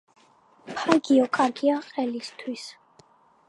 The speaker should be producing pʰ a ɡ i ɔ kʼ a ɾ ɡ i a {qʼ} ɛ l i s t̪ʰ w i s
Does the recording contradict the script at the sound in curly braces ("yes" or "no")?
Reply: no